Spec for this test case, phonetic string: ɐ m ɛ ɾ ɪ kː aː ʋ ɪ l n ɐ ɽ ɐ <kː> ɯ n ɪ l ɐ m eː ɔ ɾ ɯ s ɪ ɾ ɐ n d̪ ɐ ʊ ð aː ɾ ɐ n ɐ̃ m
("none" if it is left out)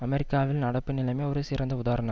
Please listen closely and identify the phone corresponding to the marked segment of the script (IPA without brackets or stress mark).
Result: pː